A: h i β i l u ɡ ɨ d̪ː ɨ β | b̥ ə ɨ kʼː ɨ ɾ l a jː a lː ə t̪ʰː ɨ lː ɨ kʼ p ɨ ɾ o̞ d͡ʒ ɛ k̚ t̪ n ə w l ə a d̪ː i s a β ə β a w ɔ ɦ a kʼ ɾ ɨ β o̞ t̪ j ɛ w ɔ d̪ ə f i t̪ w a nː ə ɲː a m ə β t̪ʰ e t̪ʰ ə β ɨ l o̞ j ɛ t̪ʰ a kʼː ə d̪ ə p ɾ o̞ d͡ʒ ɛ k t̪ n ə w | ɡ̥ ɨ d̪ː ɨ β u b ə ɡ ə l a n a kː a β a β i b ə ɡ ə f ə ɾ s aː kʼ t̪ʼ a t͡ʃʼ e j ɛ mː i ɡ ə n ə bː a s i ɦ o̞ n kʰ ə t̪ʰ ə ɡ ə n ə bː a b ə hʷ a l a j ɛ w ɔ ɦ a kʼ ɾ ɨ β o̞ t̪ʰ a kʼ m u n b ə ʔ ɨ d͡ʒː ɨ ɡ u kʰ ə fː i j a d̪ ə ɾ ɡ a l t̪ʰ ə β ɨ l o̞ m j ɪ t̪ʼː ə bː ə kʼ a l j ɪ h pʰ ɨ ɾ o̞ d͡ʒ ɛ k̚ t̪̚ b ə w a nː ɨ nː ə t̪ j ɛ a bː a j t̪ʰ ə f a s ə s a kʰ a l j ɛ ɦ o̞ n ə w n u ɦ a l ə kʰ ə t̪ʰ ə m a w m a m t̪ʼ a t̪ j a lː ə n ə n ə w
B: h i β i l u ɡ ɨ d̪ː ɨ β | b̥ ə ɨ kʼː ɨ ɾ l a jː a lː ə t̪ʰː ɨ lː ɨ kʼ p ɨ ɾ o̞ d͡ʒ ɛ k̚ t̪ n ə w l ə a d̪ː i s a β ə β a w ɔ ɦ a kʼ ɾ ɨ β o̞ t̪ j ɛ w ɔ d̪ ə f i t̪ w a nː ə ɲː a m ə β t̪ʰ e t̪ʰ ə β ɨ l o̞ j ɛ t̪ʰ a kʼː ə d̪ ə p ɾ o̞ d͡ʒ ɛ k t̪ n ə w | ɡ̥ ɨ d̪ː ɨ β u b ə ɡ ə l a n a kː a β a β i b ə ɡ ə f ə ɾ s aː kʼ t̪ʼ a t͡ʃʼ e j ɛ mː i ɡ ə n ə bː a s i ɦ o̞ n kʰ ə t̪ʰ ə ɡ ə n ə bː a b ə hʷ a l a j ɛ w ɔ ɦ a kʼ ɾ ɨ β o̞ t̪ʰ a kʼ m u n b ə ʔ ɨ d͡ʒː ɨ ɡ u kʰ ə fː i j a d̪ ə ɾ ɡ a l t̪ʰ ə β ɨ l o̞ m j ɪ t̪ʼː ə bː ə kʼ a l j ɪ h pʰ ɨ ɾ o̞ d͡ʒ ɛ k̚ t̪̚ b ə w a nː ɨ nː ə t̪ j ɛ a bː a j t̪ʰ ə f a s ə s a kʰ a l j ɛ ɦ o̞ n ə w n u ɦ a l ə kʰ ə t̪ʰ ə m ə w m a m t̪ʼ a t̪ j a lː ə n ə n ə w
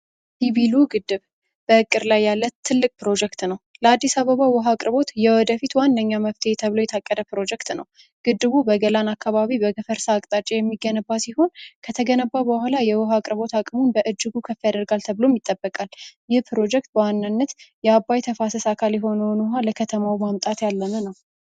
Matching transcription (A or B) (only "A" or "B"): A